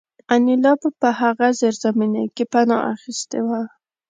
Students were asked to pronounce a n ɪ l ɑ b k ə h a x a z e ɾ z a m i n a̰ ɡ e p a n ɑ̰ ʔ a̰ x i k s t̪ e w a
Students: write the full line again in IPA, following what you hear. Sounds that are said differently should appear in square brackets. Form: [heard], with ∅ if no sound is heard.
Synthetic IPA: a n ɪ l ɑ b [p] ə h a [ɣ] a z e ɾ z a m i n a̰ [k] e p a n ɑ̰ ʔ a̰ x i [∅] s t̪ e w a